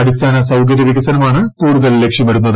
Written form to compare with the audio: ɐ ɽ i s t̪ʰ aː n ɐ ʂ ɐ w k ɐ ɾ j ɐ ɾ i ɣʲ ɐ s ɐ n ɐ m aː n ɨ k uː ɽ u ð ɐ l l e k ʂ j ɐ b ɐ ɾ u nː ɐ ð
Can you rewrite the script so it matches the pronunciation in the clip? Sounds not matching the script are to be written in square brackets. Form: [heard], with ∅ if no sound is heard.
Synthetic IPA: ɐ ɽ i s t̪ʰ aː n ɐ [s] ɐ w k ɐ ɾ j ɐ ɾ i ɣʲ ɐ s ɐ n ɐ m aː [ɳ] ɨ k uː ɽ u ð ɐ l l e k ʂ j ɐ [m] ɐ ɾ u nː ɐ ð